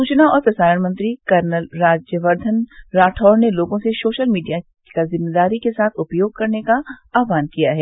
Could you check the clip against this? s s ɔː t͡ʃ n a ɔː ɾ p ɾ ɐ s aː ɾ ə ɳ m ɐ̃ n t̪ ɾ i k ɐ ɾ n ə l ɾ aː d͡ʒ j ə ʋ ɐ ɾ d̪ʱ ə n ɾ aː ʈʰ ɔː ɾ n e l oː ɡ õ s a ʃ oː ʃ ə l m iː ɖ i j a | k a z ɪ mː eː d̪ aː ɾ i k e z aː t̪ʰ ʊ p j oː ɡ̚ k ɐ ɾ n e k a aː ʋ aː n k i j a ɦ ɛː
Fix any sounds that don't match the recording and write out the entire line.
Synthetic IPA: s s uː t͡ʃ n a ɔː ɾ p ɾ ɐ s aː ɾ ə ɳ m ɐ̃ n t̪ ɾ i k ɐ ɾ n ə l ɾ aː d͡ʒ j ə ʋ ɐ ɾ d̪ʱ ə n ɾ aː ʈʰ ɔː ɾ n e l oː ɡ õ s e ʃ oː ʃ ə l m iː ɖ i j a | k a z ɪ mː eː d̪ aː ɾ i k e s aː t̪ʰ ʊ p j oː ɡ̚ k ɐ ɾ n e k a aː ʋ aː n k i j a ɦ ɛː